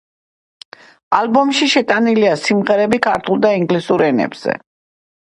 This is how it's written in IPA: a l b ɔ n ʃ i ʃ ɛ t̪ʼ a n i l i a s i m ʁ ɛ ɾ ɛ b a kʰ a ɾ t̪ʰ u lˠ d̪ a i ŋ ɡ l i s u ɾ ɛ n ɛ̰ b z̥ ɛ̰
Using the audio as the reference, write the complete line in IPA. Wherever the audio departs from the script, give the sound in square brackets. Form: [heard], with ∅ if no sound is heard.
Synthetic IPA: a l b ɔ [m] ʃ i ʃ ɛ t̪ʼ a n i l i a s i m ʁ ɛ ɾ ɛ b [i] kʰ a ɾ t̪ʰ u lˠ d̪ a i ŋ ɡ l i s u ɾ ɛ n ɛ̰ b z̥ ɛ̰

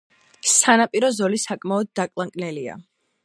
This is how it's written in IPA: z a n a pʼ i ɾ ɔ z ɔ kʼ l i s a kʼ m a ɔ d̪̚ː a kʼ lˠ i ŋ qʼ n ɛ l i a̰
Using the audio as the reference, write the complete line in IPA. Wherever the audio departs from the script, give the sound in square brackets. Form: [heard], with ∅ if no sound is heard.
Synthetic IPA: [s] a n a pʼ i ɾ ɔ z ɔ [∅] l i s a kʼ m a ɔ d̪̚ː a kʼ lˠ [a] ŋ [kʼ] n ɛ l i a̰

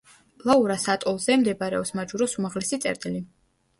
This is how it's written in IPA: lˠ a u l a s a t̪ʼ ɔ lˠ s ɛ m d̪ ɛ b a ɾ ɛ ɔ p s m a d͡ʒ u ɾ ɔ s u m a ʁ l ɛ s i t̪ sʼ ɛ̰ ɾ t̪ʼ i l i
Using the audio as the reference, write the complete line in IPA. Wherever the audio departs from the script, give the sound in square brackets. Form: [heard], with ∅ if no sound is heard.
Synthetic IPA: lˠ a u [ɾ] a s a t̪ʼ ɔ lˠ [z] ɛ m d̪ ɛ b a ɾ ɛ ɔ p s m a d͡ʒ u ɾ ɔ s u m a ʁ l ɛ s i t̪ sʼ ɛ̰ ɾ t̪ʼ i l i

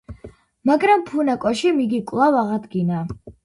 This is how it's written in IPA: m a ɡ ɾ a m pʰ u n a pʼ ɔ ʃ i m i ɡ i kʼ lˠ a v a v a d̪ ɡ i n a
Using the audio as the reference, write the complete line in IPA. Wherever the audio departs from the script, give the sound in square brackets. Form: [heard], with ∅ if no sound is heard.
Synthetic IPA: m a ɡ ɾ a m pʰ u n a [kʼ] ɔ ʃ i m i ɡ i kʼ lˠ a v a [ʁ] a d̪ ɡ i n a

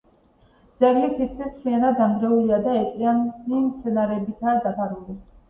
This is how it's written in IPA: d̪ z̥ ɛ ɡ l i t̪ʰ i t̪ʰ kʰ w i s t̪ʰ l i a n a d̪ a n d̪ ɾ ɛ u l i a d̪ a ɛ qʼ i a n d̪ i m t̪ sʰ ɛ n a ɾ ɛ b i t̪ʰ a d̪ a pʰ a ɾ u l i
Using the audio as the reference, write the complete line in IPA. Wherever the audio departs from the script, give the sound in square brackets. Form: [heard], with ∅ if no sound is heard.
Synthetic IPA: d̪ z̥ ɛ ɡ l i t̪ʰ i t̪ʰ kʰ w i s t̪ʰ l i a n a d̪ a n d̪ ɾ ɛ u l i a d̪ a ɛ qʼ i a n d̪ i m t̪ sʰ ɛ n a ɾ ɛ b i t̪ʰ a d̪ a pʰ a ɾ u l i

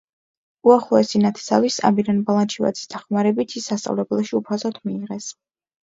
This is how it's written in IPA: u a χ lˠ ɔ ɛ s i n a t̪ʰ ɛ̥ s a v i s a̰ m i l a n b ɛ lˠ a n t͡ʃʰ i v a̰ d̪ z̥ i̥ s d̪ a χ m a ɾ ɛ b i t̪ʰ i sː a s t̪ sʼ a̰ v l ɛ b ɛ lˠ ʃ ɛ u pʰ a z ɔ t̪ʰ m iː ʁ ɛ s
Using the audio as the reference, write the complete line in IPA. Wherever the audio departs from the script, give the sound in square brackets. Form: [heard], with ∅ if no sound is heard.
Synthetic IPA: u a χ lˠ ɔ ɛ s i n a t̪ʰ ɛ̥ s a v i s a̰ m i [ɾ] a n b [a] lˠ a n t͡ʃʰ i v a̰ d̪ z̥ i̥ s d̪ a χ m a ɾ ɛ b i t̪ʰ i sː a s t̪ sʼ a̰ v l ɛ b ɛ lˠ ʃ [i] u pʰ a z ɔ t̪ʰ m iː ʁ ɛ s

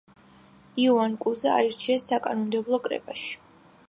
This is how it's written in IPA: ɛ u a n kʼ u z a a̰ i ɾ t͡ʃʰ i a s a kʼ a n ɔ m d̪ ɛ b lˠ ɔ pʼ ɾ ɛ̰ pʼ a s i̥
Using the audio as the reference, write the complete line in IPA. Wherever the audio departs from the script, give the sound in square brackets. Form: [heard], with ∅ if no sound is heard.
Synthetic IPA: [i] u a n kʼ u z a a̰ i ɾ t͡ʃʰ i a s a kʼ a n ɔ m d̪ ɛ b lˠ ɔ [kʼ] ɾ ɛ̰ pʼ a [ʃ] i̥

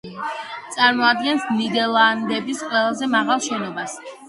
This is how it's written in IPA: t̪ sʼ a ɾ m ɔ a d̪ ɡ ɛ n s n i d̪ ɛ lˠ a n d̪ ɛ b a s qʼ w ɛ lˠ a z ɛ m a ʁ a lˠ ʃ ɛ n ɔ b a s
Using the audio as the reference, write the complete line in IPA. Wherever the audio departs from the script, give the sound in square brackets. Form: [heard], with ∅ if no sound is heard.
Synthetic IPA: t̪ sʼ a ɾ m ɔ a d̪ ɡ ɛ n s n i d̪ ɛ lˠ a n d̪ ɛ b [i] s qʼ w ɛ lˠ a z ɛ m a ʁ a lˠ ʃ ɛ n ɔ b a s

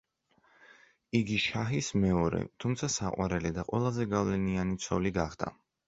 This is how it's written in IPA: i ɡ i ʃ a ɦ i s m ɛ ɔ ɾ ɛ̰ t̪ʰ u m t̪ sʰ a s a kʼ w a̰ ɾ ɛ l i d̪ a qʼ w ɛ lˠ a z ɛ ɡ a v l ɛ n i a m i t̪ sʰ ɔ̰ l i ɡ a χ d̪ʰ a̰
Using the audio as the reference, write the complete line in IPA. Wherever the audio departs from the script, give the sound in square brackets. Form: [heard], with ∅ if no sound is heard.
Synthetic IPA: i ɡ i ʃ a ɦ i s m ɛ ɔ ɾ ɛ̰ t̪ʰ u m t̪ sʰ a s a [qʼ] w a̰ ɾ ɛ l i d̪ a qʼ w ɛ lˠ a z ɛ ɡ a v l ɛ n i a [n] i t̪ sʰ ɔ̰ l i ɡ a χ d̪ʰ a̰

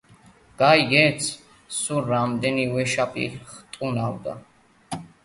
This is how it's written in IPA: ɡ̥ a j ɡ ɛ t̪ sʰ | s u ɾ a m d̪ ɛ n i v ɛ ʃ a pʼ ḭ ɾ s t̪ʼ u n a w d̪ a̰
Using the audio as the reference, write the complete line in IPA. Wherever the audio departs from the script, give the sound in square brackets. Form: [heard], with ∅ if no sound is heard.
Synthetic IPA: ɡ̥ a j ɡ ɛ t̪ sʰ | s u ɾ a m d̪ ɛ n i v ɛ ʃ a pʼ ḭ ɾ [χ] t̪ʼ u n a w d̪ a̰

